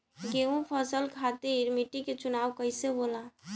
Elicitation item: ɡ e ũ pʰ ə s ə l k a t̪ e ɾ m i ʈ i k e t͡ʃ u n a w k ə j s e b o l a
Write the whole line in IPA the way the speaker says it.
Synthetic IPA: ɡ e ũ pʰ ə s ə l kʰ a t̪ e ɾ m i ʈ i k e t͡ʃ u n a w k ə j s e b o l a